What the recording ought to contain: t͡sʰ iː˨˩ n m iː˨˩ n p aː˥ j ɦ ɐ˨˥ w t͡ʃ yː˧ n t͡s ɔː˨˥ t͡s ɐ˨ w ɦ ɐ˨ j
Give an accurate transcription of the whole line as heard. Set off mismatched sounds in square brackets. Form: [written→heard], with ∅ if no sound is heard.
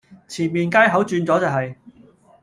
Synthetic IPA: t͡sʰ iː˨˩ n m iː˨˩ n [p→k] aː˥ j ɦ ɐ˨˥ w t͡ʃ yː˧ n t͡s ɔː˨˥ t͡s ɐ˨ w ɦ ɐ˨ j